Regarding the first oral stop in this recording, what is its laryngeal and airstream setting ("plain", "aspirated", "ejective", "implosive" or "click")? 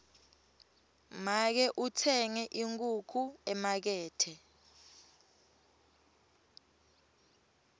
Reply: plain